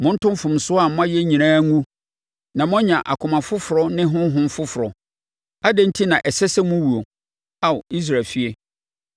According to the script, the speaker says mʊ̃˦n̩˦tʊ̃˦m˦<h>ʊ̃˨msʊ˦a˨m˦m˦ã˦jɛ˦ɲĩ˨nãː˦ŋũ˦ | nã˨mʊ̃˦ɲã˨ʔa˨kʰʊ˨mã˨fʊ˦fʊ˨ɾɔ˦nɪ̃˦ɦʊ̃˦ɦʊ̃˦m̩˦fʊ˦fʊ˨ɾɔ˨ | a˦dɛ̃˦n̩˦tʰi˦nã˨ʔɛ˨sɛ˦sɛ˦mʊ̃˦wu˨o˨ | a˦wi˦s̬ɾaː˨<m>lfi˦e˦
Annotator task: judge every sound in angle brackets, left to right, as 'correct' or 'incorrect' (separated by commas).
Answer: incorrect, incorrect